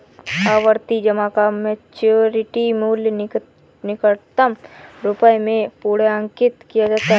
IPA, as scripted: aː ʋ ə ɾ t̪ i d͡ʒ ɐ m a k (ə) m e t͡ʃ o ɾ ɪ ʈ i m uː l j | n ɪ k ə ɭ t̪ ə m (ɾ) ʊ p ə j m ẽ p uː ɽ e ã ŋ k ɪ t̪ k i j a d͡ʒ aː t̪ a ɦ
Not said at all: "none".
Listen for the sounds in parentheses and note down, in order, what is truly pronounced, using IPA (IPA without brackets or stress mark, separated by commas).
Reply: a, ɾ